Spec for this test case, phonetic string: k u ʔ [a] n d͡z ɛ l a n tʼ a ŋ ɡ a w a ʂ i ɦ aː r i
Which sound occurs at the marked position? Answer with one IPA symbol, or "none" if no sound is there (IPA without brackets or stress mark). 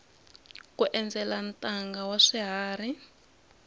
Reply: ɛ